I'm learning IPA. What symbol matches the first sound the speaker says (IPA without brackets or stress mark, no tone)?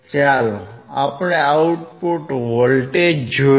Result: t͡ʃ